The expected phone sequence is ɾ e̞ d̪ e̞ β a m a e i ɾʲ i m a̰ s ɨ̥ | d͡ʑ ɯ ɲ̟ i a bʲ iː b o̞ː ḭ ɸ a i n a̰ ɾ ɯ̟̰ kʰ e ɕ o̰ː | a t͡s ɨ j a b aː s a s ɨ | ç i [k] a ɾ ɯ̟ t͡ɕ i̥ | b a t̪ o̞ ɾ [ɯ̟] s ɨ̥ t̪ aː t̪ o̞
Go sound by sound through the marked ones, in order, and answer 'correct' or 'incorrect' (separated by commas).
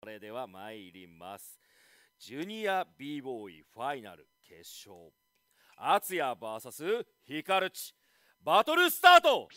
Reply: correct, correct